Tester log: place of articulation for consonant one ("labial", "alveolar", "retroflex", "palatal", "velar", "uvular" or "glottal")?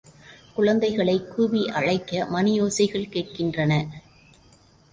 velar